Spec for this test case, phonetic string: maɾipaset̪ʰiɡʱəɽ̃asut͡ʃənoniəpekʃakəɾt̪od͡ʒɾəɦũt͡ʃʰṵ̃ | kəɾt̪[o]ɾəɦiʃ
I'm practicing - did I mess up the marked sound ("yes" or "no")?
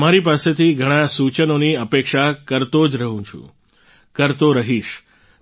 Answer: no